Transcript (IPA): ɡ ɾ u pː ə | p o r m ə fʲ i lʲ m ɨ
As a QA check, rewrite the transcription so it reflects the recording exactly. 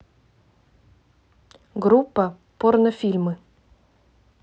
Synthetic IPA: ɡ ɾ u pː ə | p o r n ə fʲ i lʲ m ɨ

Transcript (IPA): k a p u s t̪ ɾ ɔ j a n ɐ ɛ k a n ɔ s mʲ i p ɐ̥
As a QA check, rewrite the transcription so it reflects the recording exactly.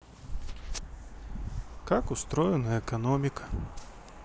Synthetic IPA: k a k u s t̪ ɾ ɔ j ɛ n ɐ ɛ k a n ɔ mʲ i k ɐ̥

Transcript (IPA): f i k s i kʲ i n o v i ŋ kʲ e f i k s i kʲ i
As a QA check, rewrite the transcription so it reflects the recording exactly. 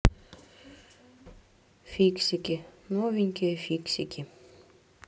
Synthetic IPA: f i k s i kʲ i n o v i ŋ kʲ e f i k s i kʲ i

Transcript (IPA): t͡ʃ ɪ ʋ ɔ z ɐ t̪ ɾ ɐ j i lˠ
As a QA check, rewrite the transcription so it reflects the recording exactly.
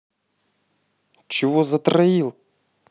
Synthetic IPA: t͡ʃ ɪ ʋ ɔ z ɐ t̪ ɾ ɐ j i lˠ

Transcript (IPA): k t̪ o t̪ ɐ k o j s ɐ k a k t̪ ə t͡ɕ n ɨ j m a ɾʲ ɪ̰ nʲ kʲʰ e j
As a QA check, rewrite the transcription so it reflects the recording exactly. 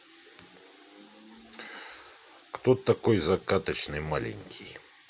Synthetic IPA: k t̪ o t̪ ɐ k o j z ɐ k a t̪ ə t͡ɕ n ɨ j m a lʲ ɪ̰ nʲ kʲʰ i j

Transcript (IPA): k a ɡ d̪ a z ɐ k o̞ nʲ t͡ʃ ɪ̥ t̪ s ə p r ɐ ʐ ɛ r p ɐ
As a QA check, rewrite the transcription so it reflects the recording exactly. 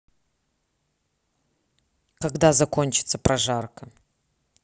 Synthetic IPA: k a ɡ d̪ a z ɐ k o̞ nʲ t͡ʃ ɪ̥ t̪ s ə p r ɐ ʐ a r k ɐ

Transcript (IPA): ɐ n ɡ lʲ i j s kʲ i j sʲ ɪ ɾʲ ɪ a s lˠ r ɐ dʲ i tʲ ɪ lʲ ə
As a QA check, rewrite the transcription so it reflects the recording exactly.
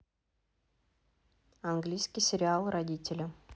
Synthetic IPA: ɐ n ɡ lʲ i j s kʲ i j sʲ ɪ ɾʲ ɪ a lˠ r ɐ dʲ i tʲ ɪ lʲ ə

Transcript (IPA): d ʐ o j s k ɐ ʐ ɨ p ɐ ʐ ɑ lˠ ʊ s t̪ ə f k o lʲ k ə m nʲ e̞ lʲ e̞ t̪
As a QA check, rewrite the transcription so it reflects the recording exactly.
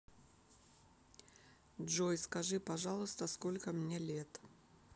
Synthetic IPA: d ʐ o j s k ɐ ʐ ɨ p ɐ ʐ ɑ lˠ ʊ s t̪ ə s k o lʲ k ə m nʲ e̞ lʲ e̞ t̪

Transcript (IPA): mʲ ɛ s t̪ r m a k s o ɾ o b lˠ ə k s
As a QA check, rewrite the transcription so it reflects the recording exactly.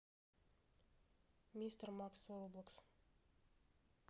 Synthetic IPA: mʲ i s t̪ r m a k s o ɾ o b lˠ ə k s

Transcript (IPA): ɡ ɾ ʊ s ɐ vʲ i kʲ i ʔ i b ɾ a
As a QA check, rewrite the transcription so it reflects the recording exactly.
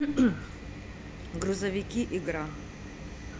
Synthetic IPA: ɡ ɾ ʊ z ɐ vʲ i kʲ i ʔ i ɡ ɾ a

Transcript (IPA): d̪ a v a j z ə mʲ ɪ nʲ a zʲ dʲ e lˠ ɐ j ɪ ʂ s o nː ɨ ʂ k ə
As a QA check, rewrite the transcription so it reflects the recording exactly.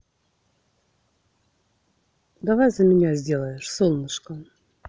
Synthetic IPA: d̪ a v a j z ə mʲ ɪ nʲ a zʲ dʲ e lˠ ə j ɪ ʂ s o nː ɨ ʂ k ə

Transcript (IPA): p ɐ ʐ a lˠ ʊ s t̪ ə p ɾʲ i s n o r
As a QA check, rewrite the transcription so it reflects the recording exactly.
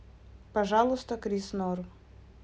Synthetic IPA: p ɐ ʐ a lˠ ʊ s t̪ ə k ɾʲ i s n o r

